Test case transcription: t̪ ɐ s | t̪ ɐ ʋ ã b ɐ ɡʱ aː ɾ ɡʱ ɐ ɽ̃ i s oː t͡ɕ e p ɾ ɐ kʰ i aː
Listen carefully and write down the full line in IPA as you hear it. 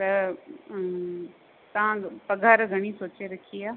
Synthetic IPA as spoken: t̪ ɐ | t̪ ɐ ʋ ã p ɐ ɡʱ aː ɾ ɡʱ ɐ ɽ̃ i s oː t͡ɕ e ɾ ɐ kʰ i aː